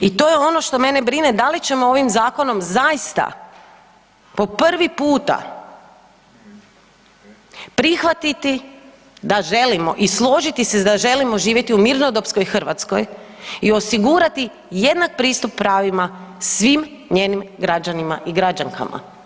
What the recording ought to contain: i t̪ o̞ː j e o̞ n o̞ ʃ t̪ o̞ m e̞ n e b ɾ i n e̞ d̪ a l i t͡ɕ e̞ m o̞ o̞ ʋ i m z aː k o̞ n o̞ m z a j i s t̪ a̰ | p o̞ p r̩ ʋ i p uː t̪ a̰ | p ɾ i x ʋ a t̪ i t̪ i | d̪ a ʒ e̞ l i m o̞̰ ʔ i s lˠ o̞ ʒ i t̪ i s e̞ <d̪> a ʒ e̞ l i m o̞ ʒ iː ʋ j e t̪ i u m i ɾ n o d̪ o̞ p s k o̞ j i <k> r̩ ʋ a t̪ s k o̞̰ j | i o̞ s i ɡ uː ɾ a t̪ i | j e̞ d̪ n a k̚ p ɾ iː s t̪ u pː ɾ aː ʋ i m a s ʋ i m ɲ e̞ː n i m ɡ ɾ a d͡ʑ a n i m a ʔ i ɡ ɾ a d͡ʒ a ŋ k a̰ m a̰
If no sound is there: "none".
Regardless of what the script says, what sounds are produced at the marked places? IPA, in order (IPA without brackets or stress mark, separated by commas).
d̪, x